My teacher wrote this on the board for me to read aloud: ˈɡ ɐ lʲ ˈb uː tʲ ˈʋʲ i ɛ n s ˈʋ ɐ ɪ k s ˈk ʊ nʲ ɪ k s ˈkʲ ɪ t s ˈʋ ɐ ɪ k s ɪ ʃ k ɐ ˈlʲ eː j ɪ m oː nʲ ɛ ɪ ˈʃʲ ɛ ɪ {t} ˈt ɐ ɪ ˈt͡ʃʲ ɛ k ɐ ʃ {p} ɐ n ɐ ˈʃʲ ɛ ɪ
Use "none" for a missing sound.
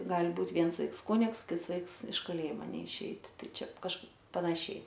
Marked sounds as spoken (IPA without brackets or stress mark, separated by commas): t, p